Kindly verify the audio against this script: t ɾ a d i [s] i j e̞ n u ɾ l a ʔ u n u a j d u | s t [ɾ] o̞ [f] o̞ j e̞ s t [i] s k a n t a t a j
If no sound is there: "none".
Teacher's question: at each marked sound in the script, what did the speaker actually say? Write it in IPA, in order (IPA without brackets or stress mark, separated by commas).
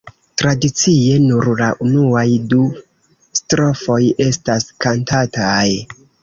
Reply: t͡s, ɾ, f, a